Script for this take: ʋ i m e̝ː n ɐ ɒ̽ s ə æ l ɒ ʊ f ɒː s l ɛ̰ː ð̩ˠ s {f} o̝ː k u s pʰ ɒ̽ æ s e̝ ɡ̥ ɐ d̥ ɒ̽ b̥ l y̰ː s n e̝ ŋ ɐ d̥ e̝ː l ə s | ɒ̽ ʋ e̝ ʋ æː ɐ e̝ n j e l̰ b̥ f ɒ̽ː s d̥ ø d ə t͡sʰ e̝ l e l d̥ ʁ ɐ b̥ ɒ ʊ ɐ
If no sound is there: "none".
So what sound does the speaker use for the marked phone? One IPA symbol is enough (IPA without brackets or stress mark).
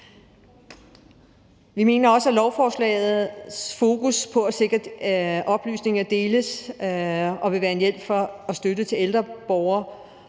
f